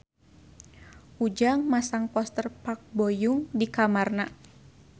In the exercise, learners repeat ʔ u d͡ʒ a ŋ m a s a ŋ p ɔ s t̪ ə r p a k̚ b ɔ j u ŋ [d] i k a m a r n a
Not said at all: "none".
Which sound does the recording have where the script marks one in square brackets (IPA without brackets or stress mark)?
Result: d